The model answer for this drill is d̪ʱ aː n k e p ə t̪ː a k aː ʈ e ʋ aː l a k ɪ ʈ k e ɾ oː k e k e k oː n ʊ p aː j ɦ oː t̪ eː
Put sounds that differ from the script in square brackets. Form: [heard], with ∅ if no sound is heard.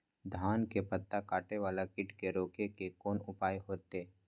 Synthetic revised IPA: d̪ʱ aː n k e p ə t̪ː a k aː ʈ e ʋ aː l a k ɪ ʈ k e ɾ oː k e k e k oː n ʊ p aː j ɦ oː t̪ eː

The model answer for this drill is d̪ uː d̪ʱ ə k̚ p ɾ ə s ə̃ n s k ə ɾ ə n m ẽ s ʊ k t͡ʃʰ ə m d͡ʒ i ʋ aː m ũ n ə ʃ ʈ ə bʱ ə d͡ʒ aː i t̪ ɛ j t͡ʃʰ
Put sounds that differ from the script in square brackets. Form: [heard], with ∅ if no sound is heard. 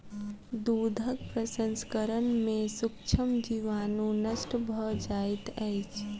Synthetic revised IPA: d̪ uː d̪ʱ ə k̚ p ɾ ə s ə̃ n s k ə ɾ ə n m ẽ s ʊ k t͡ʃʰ ə m d͡ʒ i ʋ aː [n] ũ n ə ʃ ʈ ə bʱ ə d͡ʒ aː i t̪ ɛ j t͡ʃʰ

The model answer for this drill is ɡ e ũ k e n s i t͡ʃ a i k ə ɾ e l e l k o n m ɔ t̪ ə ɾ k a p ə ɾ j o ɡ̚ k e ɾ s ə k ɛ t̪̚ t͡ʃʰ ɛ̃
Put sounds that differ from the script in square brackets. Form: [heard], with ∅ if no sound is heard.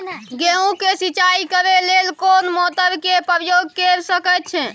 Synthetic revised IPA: ɡ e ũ k e [∅] s i t͡ʃ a i k ə ɾ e l e l k o n m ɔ t̪ ə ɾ k [e] p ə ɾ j o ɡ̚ k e ɾ s ə k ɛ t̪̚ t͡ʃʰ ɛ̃

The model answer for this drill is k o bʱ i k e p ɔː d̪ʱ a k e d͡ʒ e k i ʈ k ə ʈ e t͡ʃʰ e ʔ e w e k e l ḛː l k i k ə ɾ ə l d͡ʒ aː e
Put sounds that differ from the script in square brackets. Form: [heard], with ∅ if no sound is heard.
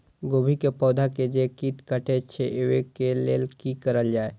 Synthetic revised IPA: [ɡ] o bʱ i k e p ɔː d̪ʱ a k e d͡ʒ e k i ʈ k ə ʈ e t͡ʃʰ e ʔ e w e k e l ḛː l k i k ə ɾ ə l d͡ʒ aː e

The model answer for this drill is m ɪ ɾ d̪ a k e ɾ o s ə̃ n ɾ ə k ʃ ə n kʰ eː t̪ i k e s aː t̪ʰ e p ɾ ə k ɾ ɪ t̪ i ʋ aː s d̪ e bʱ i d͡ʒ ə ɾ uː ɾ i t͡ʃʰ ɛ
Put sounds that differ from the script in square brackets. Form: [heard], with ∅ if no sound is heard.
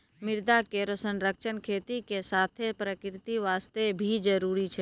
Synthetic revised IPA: m ɪ ɾ d̪ a k e ɾ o s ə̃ n ɾ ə k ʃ ə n kʰ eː t̪ i k e s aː t̪ʰ e p ɾ ə k ɾ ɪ t̪ i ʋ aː s [t̪] e bʱ i d͡ʒ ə ɾ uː ɾ i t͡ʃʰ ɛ

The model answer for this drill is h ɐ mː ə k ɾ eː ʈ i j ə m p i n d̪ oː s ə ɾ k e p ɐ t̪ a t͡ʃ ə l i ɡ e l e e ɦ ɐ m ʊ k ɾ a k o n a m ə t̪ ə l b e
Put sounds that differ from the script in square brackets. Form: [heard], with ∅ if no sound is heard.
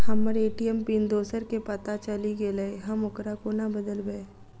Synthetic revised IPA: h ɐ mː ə [∅] ɾ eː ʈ i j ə m p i n d̪ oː s ə ɾ k e p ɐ t̪ a t͡ʃ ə l i ɡ e l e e ɦ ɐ m ʊ k ɾ a k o n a [b] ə [d̪] ə l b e

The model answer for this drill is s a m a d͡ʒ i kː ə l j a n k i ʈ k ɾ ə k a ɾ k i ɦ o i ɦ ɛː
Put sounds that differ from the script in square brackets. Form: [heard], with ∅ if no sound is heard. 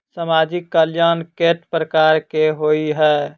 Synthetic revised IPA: s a m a d͡ʒ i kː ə l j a n k [e] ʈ [p] ɾ ə k a ɾ k [e] ɦ o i ɦ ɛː

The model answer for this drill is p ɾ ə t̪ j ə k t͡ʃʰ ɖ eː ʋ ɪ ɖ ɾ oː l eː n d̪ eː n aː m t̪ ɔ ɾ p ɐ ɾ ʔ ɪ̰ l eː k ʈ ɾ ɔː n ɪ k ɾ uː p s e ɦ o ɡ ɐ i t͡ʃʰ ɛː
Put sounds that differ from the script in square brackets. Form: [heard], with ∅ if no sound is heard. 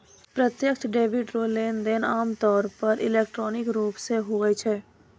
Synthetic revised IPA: p ɾ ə t̪ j ə k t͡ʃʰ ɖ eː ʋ ɪ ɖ ɾ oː l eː n d̪ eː n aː m t̪ [ɔː] ɾ p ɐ ɾ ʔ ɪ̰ l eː k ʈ ɾ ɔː n ɪ k ɾ uː p s e ɦ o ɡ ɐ i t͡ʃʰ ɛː

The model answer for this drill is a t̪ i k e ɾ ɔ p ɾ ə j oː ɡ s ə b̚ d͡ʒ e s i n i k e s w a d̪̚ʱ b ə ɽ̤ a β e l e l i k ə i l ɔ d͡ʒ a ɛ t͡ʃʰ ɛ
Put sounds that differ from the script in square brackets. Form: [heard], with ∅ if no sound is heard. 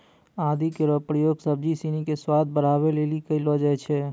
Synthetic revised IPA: a [d̪] i k e ɾ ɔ p ɾ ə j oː ɡ s ə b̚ d͡ʒ [i] s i n i k e s w a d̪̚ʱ b ə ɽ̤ a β e l e l i k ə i l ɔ d͡ʒ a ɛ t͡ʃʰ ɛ

